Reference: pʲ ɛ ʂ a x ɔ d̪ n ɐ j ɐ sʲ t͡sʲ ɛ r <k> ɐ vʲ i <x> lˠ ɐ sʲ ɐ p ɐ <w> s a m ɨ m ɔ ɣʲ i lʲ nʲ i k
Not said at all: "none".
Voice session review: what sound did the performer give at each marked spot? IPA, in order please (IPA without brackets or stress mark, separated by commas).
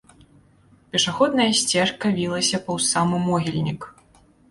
k, none, w